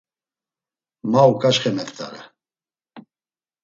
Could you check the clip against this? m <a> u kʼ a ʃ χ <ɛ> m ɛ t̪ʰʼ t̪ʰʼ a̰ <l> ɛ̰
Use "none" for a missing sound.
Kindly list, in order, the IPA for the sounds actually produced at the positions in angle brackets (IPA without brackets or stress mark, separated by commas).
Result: a, ɛ, ɾ